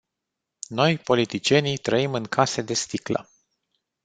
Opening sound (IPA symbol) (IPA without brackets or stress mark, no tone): n